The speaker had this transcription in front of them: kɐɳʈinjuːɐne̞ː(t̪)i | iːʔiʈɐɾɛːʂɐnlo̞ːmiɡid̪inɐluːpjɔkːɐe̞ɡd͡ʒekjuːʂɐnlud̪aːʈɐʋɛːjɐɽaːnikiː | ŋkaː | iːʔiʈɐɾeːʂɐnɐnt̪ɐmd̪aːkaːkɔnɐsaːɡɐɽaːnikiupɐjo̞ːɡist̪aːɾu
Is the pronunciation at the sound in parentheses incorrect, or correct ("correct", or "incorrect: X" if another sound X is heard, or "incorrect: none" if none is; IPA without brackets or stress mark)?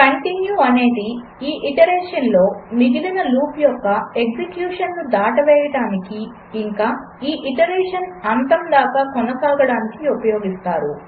incorrect: d̪